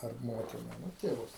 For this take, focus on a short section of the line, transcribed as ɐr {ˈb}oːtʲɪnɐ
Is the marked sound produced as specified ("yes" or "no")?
no